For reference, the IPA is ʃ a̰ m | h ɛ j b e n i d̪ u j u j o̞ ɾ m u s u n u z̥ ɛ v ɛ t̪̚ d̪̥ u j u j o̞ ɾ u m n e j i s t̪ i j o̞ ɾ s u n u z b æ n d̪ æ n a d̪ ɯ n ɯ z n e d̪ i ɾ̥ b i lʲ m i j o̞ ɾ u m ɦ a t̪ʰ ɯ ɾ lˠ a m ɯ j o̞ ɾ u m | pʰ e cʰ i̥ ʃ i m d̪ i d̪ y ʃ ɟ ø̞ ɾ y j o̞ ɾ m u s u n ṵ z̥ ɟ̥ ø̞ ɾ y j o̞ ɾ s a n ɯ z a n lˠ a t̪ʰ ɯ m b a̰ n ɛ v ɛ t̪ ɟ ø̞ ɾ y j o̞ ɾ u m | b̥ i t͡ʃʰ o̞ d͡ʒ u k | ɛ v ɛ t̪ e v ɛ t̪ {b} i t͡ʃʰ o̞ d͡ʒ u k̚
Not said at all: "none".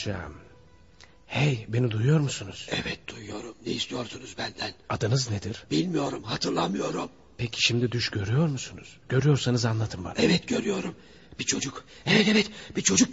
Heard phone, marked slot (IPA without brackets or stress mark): b